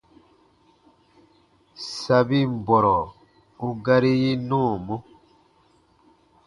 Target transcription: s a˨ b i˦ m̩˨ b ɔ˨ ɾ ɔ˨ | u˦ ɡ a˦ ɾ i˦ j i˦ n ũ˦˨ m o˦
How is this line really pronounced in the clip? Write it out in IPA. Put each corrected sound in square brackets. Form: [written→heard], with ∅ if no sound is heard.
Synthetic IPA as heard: s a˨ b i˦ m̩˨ b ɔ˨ ɾ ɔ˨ | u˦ ɡ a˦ ɾ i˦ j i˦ n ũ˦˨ m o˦